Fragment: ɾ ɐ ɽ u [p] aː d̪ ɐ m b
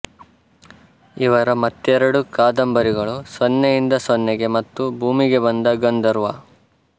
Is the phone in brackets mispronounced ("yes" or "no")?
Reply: yes